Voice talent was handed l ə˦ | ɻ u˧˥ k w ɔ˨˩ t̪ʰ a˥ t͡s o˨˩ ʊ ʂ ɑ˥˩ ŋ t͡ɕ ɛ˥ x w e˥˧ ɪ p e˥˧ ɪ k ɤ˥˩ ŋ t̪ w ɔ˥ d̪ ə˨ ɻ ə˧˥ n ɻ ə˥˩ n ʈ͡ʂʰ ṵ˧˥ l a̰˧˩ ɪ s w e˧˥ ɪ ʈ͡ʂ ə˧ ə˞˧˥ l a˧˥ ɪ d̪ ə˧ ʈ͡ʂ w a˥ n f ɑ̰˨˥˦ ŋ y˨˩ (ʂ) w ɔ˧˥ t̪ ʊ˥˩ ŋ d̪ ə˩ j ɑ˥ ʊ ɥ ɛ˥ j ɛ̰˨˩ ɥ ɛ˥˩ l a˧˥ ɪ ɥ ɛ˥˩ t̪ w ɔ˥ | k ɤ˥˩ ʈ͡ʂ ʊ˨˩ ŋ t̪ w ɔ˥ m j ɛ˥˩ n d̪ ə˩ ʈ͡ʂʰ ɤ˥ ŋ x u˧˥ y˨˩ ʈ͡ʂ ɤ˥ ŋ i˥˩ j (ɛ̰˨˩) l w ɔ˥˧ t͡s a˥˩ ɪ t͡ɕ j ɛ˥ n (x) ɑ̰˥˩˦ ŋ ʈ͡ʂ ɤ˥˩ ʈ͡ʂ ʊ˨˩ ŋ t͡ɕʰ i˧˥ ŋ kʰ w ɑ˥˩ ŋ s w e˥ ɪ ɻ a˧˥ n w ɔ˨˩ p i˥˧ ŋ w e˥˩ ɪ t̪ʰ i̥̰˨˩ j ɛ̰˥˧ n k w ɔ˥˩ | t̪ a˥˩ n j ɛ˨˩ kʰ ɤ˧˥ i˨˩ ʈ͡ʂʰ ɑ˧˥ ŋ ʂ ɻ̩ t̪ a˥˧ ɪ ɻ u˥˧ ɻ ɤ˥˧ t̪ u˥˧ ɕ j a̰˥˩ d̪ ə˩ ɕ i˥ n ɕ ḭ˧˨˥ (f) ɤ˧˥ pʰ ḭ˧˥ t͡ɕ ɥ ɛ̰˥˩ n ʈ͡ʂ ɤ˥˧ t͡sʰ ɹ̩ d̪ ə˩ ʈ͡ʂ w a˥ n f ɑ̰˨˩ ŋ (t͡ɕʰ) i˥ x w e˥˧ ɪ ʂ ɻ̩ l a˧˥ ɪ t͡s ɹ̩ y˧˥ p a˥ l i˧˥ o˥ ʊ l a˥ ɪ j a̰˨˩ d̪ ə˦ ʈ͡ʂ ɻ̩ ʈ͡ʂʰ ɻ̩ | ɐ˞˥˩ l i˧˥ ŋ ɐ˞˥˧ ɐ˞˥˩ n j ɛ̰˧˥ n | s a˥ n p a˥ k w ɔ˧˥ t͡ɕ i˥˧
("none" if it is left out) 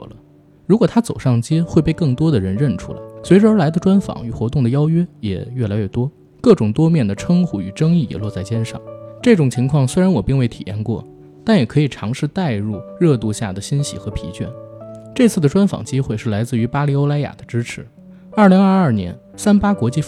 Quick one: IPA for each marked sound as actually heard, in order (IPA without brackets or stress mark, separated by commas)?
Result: x, ɛ̰˨˩, ʂ, x, t͡ɕ